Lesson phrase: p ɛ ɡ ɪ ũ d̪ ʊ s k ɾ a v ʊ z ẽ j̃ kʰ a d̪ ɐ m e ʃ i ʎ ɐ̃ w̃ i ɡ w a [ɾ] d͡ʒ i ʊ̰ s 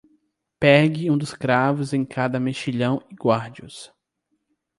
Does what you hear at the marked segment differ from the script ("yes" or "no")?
no